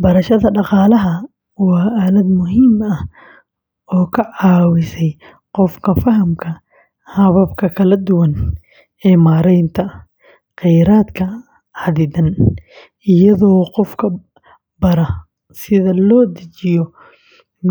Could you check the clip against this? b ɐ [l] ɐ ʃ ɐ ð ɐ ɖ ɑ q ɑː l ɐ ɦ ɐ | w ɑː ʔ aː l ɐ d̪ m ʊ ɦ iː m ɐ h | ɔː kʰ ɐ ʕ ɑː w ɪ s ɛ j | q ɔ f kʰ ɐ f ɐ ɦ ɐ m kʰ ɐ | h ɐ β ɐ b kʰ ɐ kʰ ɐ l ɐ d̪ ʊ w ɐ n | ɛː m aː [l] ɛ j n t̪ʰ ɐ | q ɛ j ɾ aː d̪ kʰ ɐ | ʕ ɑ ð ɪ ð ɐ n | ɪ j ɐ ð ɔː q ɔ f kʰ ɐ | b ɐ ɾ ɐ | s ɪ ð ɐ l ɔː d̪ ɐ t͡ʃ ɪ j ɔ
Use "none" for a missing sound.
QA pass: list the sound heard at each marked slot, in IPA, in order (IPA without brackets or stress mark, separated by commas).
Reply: ɾ, ɾ